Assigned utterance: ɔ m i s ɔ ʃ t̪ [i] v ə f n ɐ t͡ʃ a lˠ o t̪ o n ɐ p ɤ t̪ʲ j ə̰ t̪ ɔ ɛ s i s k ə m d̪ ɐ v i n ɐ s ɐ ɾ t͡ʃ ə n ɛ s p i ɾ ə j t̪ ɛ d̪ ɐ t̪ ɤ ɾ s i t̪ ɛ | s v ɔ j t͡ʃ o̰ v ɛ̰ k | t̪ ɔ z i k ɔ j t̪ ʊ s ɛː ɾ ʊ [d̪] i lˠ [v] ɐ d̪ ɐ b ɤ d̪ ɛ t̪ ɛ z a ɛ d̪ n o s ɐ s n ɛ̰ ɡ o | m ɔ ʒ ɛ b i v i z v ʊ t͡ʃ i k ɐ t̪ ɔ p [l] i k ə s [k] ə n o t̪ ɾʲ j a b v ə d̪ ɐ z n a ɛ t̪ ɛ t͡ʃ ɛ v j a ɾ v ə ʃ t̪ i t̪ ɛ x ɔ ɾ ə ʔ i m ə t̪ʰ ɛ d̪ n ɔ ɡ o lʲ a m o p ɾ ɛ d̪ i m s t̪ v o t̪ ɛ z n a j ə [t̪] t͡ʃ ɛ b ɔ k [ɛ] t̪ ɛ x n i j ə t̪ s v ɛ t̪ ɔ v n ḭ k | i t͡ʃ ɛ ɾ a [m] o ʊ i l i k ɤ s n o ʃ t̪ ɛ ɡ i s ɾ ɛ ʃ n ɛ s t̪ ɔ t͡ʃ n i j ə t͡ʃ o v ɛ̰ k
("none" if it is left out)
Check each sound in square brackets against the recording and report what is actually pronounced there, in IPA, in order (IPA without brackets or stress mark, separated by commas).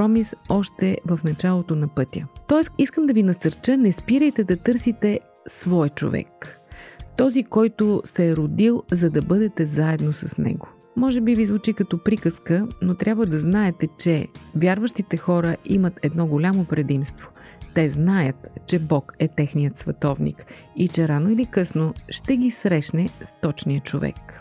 ɛ, d̪, z, ɾ, k, t̪, ɛ, n